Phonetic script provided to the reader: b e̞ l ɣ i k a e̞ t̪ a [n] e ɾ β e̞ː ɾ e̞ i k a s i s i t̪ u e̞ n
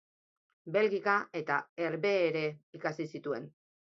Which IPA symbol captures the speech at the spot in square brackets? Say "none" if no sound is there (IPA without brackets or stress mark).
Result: none